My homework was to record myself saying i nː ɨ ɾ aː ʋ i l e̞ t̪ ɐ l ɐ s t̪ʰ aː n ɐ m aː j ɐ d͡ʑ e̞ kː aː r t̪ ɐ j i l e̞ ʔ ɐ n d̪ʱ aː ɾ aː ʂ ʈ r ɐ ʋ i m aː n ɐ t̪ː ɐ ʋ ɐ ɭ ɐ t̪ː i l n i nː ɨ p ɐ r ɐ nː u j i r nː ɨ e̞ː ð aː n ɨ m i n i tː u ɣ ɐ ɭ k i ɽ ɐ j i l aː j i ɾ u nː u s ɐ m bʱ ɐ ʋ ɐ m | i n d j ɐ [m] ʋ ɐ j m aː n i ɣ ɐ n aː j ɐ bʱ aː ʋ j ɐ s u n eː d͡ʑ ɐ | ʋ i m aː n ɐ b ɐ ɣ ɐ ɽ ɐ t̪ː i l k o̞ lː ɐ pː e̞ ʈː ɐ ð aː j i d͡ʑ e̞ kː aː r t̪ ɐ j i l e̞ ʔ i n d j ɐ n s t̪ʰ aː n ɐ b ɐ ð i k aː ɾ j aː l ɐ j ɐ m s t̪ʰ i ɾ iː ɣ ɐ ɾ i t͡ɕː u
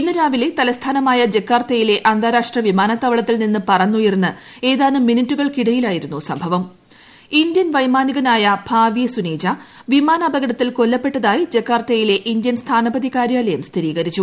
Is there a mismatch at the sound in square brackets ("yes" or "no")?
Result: yes